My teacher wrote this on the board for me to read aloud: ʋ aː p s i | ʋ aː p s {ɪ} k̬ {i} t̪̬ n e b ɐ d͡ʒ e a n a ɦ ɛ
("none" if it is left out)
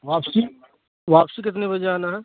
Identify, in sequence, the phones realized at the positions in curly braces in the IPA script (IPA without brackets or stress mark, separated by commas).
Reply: i, ɪ